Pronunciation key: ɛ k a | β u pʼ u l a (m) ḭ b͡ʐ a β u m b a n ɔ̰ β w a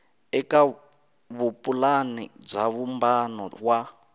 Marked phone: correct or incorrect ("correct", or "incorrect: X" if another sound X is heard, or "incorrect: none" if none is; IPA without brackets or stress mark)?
incorrect: n